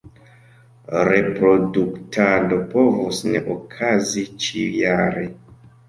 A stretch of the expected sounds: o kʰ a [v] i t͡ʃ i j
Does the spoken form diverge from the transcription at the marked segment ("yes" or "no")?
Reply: yes